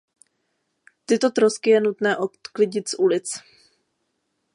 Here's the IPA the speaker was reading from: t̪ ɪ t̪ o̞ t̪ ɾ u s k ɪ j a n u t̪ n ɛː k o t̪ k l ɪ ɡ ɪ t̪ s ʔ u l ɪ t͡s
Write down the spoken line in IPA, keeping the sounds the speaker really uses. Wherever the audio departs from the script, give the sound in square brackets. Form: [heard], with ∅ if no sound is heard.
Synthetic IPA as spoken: t̪ ɪ t̪ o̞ t̪ ɾ [o] s k ɪ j [ɛ] n u t̪ n ɛː [ʔ] o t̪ k l ɪ [ɟ] ɪ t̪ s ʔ u l ɪ t͡s